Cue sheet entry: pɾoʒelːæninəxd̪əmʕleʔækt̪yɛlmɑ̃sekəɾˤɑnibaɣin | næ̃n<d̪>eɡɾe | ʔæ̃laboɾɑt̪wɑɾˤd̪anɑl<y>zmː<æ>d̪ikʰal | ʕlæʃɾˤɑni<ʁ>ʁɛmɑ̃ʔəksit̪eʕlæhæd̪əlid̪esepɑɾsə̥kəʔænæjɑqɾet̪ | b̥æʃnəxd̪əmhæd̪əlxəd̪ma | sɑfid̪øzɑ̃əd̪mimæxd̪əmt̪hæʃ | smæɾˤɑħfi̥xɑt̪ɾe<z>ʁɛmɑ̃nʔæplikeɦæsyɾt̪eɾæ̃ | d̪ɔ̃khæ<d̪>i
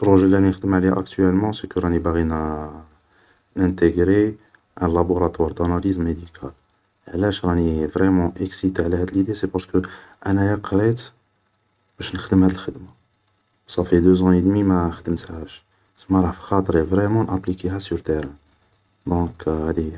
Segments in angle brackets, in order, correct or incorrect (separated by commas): incorrect, incorrect, incorrect, incorrect, incorrect, correct